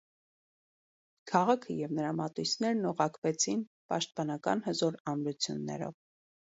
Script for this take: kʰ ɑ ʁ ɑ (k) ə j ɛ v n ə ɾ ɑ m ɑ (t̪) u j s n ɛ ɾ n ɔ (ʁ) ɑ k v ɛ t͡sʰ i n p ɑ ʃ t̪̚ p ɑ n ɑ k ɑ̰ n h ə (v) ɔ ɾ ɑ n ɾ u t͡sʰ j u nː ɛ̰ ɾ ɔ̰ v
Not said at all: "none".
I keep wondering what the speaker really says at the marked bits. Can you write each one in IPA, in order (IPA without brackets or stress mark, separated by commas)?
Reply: kʰ, t̪, ʁ, z